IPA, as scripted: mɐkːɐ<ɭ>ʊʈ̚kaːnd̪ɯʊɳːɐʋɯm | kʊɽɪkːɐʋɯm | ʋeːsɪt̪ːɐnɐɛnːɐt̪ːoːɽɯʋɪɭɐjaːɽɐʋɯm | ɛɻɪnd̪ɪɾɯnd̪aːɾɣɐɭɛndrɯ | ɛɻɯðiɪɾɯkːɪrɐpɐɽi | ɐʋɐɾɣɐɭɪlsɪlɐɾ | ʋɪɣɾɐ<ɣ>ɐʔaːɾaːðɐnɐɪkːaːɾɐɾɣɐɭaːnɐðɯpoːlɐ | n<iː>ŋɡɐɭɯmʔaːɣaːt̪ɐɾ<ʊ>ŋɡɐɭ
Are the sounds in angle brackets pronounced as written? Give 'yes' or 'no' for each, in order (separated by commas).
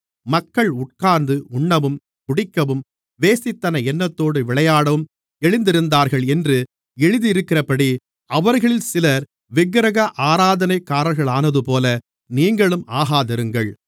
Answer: yes, yes, yes, no